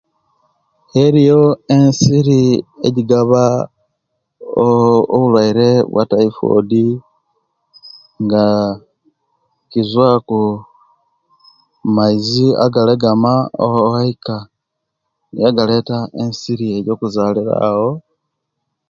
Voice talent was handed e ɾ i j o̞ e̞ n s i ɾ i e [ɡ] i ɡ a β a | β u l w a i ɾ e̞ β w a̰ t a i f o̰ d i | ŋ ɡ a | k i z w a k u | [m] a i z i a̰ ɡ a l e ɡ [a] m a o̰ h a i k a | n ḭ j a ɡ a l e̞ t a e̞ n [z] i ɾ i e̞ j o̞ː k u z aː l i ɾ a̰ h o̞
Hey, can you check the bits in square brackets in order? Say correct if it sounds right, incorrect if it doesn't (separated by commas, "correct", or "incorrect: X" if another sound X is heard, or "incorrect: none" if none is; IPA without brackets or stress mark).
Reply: incorrect: ɟ, correct, correct, incorrect: s